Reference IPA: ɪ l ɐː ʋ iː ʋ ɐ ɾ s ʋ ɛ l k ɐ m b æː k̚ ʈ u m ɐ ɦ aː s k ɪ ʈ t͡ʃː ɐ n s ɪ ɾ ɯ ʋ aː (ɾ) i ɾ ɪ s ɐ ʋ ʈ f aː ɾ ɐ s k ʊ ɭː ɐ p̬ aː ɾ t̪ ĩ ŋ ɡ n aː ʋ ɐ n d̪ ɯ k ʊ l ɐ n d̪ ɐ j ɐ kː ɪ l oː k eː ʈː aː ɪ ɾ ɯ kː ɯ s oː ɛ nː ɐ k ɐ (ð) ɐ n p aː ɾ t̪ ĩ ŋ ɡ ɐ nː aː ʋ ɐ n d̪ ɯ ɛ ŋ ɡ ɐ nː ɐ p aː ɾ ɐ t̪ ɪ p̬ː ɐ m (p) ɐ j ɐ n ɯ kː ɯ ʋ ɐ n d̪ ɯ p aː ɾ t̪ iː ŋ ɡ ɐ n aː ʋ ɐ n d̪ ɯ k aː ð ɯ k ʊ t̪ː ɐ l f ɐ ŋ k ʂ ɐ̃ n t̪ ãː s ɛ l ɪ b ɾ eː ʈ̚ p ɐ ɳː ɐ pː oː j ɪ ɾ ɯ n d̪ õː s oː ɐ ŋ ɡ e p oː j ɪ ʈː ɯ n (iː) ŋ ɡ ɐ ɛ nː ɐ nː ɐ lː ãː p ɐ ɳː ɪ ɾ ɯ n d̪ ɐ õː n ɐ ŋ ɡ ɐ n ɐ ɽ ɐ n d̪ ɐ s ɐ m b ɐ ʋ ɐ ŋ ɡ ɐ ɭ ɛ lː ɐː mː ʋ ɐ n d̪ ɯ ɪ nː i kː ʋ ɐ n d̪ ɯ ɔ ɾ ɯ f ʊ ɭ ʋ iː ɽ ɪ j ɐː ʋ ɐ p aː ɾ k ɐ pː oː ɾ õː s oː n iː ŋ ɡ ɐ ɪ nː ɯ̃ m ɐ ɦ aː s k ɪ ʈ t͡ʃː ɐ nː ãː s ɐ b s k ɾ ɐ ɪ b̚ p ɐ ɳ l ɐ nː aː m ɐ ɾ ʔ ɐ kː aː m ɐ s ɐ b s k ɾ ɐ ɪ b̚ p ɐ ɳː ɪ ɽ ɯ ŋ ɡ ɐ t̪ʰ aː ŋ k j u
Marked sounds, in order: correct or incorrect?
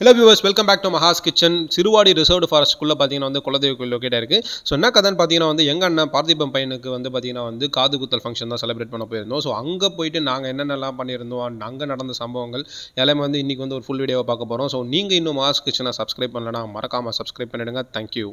incorrect: ɽ, correct, correct, incorrect: aː

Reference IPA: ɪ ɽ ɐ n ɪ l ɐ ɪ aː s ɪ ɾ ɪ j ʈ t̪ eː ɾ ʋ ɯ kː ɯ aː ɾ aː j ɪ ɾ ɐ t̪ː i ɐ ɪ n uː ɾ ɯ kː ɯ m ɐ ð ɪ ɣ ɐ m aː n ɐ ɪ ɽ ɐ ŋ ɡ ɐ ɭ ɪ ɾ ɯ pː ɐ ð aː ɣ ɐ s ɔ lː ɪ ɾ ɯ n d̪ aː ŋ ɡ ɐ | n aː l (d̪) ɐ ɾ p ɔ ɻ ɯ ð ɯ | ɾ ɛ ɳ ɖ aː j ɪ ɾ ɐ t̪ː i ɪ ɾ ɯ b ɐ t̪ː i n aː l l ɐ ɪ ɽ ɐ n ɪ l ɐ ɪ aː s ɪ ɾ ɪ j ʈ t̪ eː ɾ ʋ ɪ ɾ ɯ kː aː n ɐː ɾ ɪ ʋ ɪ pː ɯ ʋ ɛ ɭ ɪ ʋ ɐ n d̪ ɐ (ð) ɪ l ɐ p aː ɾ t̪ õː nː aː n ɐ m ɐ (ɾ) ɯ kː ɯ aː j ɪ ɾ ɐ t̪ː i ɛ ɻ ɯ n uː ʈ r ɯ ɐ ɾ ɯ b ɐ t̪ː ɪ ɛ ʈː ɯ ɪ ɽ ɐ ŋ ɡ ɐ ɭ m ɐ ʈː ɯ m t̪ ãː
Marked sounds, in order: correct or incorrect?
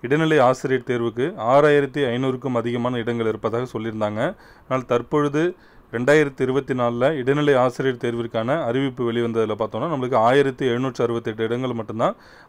incorrect: t̪, correct, incorrect: ɭ

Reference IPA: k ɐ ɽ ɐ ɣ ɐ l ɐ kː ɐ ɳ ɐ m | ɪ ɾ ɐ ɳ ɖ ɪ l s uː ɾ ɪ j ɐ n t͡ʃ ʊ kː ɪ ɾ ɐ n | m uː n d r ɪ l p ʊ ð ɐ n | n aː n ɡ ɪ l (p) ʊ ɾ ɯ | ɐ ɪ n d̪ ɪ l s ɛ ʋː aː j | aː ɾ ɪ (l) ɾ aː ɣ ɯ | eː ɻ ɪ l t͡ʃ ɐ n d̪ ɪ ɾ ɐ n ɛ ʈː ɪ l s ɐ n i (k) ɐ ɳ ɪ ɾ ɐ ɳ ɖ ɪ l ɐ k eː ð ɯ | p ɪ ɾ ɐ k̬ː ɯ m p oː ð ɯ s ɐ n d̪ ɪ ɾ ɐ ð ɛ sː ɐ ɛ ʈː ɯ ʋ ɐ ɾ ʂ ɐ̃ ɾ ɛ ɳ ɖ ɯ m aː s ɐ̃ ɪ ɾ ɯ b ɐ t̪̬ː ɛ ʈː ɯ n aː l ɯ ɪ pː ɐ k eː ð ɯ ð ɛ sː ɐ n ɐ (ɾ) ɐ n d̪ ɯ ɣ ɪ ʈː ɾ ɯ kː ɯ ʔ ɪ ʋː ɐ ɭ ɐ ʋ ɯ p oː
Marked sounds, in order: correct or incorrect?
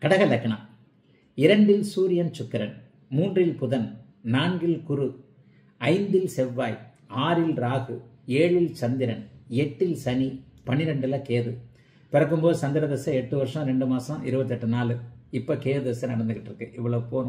incorrect: k, correct, incorrect: p, incorrect: ɽ

